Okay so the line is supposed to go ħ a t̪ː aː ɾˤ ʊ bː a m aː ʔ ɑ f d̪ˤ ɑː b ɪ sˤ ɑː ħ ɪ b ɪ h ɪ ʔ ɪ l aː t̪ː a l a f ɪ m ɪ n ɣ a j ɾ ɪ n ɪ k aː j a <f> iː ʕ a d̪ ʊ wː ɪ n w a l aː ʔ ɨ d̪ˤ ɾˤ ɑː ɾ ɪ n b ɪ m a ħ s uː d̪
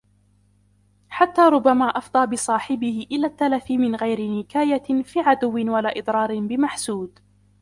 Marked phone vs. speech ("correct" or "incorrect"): correct